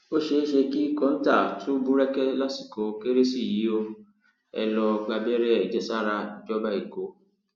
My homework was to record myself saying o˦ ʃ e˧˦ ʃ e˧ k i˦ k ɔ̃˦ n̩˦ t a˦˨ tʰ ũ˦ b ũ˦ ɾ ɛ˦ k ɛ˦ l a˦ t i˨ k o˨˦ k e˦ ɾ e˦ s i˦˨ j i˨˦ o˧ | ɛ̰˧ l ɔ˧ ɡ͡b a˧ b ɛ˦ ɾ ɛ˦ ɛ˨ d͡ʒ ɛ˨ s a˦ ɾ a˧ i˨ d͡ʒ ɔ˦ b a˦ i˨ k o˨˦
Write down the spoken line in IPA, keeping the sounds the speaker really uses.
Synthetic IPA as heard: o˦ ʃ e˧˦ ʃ e˧ k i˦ k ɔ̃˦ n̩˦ t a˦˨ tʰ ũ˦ b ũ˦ ɾ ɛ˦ k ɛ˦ l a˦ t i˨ k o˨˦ k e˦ ɾ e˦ s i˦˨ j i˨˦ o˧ | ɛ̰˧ l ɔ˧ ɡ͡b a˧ b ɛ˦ ɾ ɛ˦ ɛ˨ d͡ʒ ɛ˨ s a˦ ɾ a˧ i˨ d͡ʒ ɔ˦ b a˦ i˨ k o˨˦